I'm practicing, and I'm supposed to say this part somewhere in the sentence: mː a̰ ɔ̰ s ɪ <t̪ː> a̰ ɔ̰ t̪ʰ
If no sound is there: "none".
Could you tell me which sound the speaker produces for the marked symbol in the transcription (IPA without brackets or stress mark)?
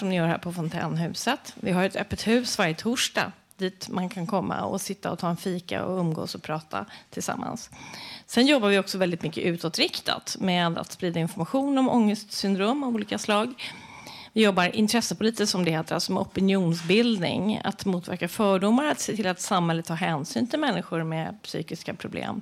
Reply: t̪ː